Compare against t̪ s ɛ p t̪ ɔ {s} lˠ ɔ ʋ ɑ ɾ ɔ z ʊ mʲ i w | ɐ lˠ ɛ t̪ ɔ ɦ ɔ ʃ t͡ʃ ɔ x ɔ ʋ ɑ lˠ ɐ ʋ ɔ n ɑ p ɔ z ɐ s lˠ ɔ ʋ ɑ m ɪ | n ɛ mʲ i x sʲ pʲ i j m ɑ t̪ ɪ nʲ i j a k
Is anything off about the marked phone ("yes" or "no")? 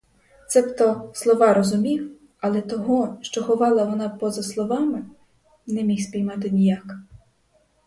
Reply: no